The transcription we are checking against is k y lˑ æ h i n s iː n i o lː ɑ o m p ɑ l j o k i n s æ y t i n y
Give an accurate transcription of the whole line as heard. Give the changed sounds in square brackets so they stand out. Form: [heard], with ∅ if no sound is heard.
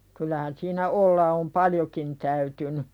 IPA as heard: k y lˑ æ h [æ] n s iː n [æ] o lː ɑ o m p ɑ l j o k i n [t] æ y t [y] n y